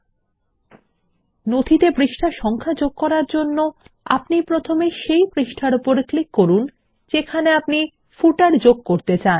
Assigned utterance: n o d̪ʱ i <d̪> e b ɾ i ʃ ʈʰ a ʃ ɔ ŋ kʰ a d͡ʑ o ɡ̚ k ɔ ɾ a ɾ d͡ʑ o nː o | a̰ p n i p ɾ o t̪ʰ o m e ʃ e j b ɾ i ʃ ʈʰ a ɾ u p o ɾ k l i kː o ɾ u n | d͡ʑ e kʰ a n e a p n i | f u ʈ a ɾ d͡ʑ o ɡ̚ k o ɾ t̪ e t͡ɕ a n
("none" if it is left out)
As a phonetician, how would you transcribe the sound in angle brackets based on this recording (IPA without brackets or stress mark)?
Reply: t̪